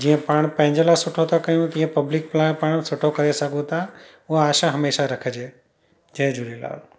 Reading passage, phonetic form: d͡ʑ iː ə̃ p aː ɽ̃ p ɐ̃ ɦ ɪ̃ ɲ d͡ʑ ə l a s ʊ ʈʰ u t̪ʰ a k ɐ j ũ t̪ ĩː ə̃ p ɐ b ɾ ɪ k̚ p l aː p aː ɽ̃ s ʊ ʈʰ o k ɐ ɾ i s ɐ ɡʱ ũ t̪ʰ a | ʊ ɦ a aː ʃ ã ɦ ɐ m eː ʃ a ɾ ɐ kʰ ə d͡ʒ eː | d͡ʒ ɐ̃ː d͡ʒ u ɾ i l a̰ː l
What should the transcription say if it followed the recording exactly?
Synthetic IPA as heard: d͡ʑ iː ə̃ p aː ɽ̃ p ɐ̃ ɦ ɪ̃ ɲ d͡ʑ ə l a s ʊ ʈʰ o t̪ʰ a k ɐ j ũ t̪ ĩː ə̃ p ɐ b l ɪ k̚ p l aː p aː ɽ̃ s ʊ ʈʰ o k ɐ ɾ e s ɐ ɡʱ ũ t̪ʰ a | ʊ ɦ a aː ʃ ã ɦ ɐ m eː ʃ a ɾ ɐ kʰ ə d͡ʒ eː | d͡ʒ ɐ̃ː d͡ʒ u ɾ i l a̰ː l